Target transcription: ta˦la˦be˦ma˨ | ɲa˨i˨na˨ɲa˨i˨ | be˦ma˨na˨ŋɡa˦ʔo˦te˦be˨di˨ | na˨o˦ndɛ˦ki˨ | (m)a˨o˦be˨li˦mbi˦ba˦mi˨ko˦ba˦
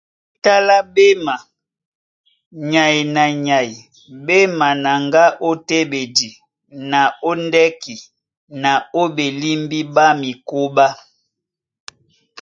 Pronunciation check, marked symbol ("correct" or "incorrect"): incorrect